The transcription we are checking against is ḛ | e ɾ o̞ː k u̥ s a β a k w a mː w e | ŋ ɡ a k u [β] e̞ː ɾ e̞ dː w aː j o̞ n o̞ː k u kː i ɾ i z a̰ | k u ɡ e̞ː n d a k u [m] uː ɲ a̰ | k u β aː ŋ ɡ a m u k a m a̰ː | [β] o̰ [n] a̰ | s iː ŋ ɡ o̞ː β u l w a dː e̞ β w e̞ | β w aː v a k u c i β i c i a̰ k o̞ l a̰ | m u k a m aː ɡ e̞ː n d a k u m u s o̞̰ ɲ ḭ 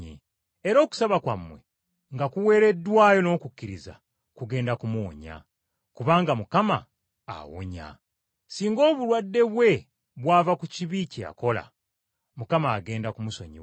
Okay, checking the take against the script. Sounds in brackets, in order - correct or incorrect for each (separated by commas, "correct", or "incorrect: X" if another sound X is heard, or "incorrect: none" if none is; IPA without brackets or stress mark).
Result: incorrect: w, correct, incorrect: w, incorrect: ɲ